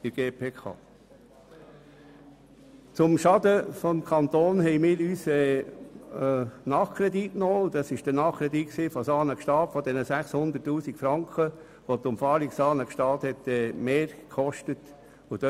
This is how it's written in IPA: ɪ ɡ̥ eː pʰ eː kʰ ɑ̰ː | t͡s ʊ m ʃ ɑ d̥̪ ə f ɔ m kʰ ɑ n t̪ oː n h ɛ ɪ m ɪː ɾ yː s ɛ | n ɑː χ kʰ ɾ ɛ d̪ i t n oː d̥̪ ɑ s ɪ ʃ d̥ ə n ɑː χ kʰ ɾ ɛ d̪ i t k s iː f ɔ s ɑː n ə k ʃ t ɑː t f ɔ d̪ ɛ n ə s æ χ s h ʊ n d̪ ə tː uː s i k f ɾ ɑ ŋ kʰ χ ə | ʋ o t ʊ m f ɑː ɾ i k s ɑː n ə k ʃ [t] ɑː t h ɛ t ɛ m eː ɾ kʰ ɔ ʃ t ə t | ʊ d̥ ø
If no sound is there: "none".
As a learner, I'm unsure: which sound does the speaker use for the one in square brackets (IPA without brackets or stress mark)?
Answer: t